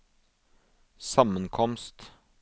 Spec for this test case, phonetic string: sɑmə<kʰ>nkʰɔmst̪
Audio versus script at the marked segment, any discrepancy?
yes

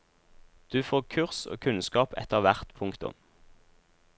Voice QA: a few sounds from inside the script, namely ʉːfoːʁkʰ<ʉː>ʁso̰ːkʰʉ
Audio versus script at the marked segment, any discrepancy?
yes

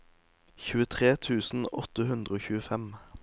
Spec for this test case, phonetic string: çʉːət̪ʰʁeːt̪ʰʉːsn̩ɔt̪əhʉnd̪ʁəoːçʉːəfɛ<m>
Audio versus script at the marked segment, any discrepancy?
no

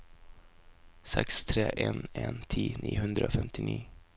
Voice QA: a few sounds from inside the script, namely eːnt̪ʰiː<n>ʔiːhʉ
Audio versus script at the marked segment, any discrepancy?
no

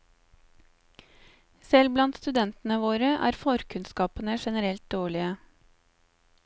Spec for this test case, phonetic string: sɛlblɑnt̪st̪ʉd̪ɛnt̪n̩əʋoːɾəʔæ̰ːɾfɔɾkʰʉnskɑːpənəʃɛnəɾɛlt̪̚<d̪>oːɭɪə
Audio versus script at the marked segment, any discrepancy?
no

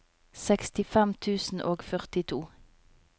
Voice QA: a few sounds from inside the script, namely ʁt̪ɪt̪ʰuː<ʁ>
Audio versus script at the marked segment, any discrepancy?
yes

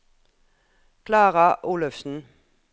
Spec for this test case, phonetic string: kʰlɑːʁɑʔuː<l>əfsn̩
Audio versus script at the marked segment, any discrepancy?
no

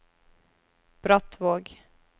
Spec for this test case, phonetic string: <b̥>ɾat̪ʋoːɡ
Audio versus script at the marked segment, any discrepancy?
no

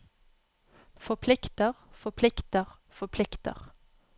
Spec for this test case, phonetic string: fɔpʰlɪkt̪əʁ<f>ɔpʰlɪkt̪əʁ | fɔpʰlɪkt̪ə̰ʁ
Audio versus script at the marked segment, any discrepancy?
no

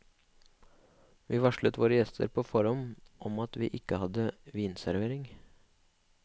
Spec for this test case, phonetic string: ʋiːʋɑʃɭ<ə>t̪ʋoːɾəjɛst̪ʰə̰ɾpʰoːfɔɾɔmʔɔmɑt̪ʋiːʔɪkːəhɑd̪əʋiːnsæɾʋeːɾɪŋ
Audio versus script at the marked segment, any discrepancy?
no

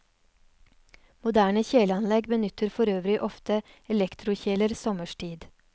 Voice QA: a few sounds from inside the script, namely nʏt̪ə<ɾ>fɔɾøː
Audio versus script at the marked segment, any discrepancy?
no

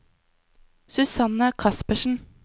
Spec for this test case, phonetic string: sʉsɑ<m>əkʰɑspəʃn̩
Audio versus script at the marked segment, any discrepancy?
yes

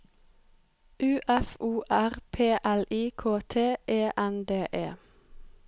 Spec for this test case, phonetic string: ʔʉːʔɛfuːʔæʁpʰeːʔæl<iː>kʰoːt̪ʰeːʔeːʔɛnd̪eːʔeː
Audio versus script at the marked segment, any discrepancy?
no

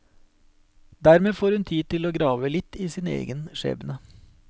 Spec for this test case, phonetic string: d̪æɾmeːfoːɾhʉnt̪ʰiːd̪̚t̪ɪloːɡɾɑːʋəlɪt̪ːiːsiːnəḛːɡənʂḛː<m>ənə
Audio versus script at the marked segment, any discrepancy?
yes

